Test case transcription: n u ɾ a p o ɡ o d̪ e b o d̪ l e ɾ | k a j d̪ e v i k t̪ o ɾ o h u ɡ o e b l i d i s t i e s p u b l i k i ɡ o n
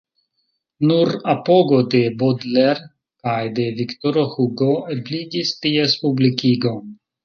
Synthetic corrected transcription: n u ɾ a p o ɡ o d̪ e b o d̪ l e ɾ | k a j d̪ e v i k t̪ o ɾ o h u ɡ o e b l i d i s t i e s p u b l i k i ɡ o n

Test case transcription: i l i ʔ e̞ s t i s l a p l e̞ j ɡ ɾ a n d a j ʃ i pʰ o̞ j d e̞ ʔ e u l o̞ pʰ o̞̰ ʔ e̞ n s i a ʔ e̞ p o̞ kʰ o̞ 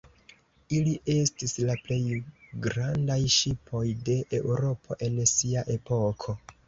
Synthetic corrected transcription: i l i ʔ e̞ s t i s l a p l e̞ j ɡ ɾ a n d a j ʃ i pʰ o̞ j d e̞ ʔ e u ɾ o̞ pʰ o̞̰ ʔ e̞ n s i a ʔ e̞ p o̞ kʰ o̞

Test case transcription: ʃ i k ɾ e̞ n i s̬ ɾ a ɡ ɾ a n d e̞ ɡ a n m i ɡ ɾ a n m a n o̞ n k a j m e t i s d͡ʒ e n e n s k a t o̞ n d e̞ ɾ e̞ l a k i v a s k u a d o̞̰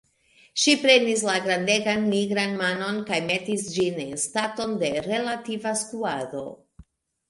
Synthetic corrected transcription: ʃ i p ɾ e̞ n i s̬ l a ɡ ɾ a n d e̞ ɡ a n m i ɡ ɾ a n m a n o̞ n k a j m e t i s d͡ʒ i n e n s t a t o̞ n d e̞ ɾ e̞ l a t i v a s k u a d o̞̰

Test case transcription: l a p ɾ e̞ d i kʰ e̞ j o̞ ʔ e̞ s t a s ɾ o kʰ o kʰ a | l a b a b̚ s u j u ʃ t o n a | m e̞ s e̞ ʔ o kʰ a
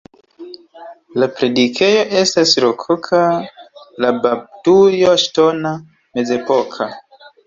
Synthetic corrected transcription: l a p ɾ e̞ d i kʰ e̞ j o̞ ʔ e̞ s t a s ɾ o kʰ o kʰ a | l a b a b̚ t u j o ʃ t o n a | m e̞ z e̞ p o kʰ a

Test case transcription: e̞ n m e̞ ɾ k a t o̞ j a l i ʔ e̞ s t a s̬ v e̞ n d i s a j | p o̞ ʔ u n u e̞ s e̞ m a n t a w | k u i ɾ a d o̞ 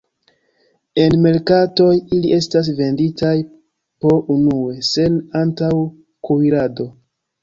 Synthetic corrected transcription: e̞ n m e̞ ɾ k a t o̞ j i l i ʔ e̞ s t a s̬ v e̞ n d i t a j | p o̞ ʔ u n u e̞ s e̞ n a n t a w | k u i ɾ a d o̞

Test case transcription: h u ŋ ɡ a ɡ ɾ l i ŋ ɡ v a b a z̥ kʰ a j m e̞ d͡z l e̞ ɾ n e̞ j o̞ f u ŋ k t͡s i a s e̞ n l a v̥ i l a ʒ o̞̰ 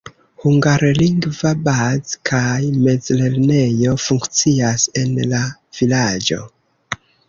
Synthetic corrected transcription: h u ŋ ɡ a ɾ l i ŋ ɡ v a b a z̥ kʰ a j m e̞ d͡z l e̞ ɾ n e̞ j o̞ f u ŋ k t͡s i a s e̞ n l a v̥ i l a d͡ʒ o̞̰

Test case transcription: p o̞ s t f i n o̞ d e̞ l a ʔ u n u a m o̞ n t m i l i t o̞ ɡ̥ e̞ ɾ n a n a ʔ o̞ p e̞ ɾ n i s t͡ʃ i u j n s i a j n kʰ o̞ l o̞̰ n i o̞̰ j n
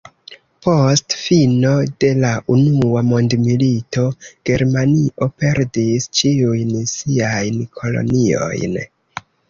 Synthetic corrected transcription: p o̞ s t f i n o̞ d e̞ l a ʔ u n u a m o̞ n d m i l i t o̞ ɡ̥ e̞ ɾ m a n i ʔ o̞ p e̞ ɾ d i s t͡ʃ i u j n s i a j n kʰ o̞ l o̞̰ n i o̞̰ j n

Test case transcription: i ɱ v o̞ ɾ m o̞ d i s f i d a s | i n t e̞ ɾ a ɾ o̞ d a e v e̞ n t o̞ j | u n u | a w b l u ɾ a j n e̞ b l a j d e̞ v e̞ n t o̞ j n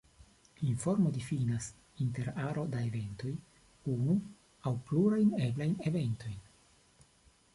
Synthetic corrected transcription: i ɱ f o̞ ɾ m o̞ d i f i n a s | i n t e̞ ɾ a ɾ o̞ d a e v e̞ n t o̞ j | u n u | a w p l u ɾ a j n e̞ b l a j n e̞ v e̞ n t o̞ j n

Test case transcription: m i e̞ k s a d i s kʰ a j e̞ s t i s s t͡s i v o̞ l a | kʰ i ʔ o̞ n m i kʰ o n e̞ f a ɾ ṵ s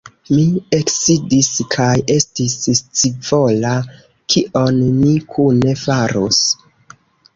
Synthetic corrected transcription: m i e̞ k s i d i s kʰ a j e̞ s t i s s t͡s i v o̞ l a | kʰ i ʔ o̞ n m i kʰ u n e̞ f a ɾ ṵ s

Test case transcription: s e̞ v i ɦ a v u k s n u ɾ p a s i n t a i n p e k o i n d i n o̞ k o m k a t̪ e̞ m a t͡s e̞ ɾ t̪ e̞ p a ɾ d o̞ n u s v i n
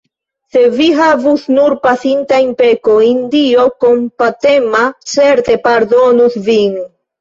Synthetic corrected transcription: s e̞ v i ɦ a v u s n u ɾ p a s i n t a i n p e k o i n d i o̞ k o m p a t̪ e̞ m a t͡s e̞ ɾ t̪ e̞ p a ɾ d o̞ n u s v i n

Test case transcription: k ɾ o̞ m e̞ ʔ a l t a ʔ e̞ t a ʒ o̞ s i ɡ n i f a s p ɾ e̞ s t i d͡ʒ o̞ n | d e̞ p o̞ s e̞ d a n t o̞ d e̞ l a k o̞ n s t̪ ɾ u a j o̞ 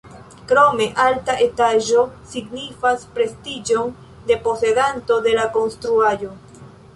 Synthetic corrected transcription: k ɾ o̞ m e̞ ʔ a l t a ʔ e̞ t a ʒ o̞ s i ɡ n i f a s p ɾ e̞ s t i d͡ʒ o̞ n | d e̞ p o̞ s e̞ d a n t o̞ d e̞ l a k o̞ n s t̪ ɾ u a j o̞

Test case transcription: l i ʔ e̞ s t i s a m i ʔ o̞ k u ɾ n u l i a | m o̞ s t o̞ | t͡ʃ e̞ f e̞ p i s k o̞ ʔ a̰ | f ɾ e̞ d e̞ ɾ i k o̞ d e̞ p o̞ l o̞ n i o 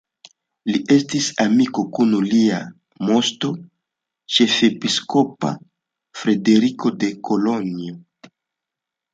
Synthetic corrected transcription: l i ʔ e̞ s t i s a m i k o̞ k u n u l i a | m o̞ s t o̞ | t͡ʃ e̞ f e̞ p i s k o̞ p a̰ | f ɾ e̞ d e̞ ɾ i k o̞ d e̞ k o̞ l o̞ n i o

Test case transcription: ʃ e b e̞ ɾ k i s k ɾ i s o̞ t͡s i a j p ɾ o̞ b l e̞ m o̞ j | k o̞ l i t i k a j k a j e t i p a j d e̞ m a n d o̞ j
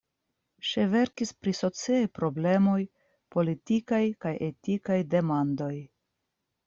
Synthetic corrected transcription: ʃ e v e̞ ɾ k i s p ɾ i s o̞ t͡s i a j p ɾ o̞ b l e̞ m o̞ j | p o̞ l i t i k a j k a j e t i k a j d e̞ m a n d o̞ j

